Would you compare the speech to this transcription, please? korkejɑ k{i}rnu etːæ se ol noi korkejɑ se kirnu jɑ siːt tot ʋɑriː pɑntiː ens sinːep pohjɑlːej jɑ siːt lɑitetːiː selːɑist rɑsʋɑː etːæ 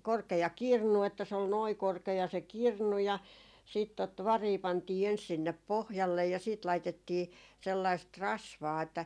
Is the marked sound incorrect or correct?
correct